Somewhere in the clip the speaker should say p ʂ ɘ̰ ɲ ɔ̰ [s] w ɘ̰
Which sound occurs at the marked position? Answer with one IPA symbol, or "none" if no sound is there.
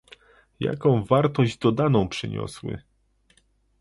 s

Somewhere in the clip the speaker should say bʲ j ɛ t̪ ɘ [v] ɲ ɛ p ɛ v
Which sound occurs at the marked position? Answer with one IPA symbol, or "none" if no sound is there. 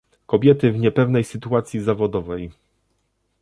v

